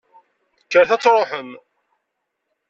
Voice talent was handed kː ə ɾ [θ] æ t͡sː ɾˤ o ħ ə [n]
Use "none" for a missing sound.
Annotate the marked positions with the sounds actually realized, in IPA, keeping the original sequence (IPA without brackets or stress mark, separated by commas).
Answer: θ, m